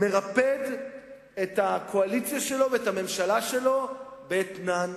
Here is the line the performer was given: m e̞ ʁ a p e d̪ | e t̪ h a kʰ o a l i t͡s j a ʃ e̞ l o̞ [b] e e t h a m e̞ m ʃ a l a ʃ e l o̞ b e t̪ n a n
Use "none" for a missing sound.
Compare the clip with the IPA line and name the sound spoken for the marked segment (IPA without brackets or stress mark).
v